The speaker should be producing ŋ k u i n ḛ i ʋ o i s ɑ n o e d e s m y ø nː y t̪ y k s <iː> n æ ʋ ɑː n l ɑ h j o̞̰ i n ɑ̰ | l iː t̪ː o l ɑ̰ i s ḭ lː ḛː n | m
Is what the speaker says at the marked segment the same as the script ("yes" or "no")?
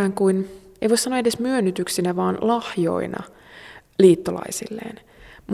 no